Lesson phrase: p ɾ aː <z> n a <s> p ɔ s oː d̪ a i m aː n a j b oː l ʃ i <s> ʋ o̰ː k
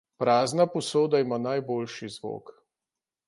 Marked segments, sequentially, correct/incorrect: correct, incorrect: none, incorrect: z

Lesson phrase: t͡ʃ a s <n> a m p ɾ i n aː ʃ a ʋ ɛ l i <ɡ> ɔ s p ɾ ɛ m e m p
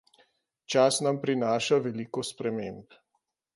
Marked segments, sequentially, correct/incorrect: correct, incorrect: k

